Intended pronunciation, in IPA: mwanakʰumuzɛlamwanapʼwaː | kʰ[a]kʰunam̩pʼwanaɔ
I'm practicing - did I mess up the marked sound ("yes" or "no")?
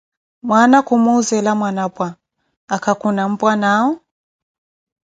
no